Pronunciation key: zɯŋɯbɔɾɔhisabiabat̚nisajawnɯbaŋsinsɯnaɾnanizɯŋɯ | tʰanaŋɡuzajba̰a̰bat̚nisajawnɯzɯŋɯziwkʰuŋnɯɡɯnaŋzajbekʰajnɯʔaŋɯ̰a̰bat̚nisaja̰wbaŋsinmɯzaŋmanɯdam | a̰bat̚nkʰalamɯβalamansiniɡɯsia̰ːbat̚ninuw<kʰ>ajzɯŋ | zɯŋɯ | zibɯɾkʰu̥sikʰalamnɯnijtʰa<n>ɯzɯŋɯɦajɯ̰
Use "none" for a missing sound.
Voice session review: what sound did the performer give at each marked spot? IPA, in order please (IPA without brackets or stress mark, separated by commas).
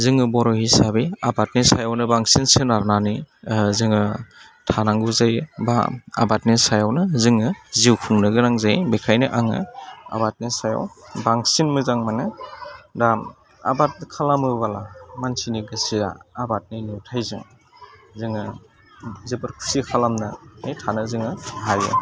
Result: tʰ, n